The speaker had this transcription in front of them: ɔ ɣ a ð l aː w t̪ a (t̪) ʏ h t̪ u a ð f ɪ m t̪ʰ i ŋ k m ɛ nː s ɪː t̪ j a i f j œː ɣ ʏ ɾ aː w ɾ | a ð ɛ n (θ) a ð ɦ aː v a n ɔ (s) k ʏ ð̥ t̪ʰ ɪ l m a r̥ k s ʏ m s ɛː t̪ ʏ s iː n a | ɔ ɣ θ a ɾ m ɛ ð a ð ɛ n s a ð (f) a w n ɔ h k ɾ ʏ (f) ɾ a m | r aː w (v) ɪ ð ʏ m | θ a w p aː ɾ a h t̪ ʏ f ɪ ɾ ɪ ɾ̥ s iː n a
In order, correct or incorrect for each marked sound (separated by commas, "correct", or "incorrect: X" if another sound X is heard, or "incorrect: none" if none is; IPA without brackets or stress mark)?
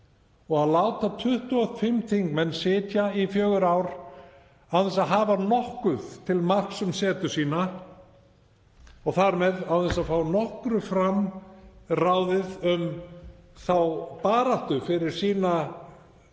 incorrect: t̪ʰ, incorrect: s, incorrect: h, correct, correct, incorrect: ð